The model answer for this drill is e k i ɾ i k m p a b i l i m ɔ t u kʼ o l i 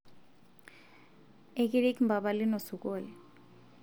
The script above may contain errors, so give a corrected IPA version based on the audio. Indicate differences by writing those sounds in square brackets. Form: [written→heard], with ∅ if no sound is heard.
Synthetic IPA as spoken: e k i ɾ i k m [p→b] a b [i→a] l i [m→n] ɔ [t→s] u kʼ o l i